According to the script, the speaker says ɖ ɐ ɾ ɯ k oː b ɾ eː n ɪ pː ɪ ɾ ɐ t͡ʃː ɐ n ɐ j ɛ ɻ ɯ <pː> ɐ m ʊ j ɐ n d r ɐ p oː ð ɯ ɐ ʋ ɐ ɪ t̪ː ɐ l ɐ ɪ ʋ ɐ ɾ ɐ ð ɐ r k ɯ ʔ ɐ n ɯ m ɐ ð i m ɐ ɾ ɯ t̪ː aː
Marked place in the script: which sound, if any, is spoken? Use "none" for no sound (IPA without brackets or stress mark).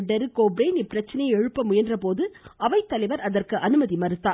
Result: pː